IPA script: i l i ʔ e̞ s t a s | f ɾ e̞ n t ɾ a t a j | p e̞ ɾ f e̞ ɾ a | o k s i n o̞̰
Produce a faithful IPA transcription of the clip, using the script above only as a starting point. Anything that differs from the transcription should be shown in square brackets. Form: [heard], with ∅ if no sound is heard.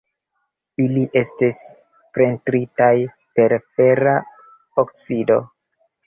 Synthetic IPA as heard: i l i ʔ e̞ s t [i] s | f ɾ e̞ n t ɾ [i] t a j | p e̞ ɾ f e̞ ɾ a | o k s i [d] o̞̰

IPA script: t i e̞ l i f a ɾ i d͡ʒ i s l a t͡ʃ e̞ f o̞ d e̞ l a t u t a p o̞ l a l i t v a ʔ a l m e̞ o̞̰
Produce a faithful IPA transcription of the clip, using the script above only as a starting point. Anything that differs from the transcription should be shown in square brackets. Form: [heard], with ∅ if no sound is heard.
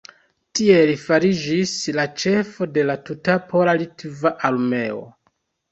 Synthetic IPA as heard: t i e̞ l i f a ɾ i d͡ʒ i s l a t͡ʃ e̞ f o̞ d e̞ l a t u t a p o̞ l a l i t v a ʔ a l m e̞ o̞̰

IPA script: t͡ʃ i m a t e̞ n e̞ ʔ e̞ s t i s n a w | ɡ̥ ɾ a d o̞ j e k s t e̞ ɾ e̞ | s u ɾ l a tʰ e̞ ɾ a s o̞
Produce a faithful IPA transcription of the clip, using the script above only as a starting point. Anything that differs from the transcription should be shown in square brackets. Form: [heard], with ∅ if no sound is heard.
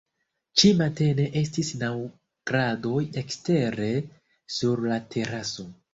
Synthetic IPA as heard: t͡ʃ i m a t e̞ n e̞ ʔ e̞ s t i s n a w | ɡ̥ ɾ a d o̞ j e k s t e̞ ɾ e̞ | s u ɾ l a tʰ e̞ ɾ a s o̞

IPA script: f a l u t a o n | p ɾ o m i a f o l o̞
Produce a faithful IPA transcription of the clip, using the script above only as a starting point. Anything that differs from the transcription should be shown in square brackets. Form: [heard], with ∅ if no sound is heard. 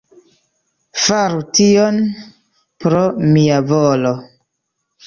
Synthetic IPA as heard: f a [ɾ] u t [i] o n | p ɾ o m i a [v] o l o̞

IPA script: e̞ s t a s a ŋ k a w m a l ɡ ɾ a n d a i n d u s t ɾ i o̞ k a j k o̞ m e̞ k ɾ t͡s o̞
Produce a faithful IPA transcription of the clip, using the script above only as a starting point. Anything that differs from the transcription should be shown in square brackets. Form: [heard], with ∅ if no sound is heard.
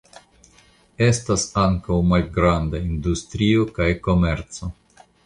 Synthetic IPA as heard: e̞ s t a s a ŋ k a w m a l ɡ ɾ a n d a i n d u s t ɾ i o̞ k a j k o̞ m e̞ [∅] ɾ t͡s o̞

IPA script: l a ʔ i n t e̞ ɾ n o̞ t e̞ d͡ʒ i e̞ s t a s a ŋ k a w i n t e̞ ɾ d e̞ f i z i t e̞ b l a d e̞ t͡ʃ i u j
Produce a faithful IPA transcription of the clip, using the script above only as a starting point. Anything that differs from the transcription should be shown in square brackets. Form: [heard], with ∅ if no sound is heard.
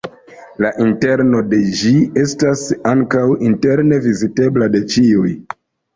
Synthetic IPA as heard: l a ʔ i n t e̞ ɾ n o̞ [d] e̞ d͡ʒ i e̞ s t a s a ŋ k a w i n t e̞ ɾ [n] e̞ [v] i z i t e̞ b l a d e̞ t͡ʃ i u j

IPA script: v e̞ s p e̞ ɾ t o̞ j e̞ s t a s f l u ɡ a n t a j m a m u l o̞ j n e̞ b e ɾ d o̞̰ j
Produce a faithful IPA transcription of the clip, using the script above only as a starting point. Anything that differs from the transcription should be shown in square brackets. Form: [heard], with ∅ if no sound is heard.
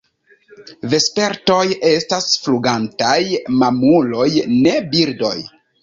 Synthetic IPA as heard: v e̞ s p e̞ ɾ t o̞ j e̞ s t a s f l u ɡ a n t a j m a m u l o̞ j n e̞ b [i] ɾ d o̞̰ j

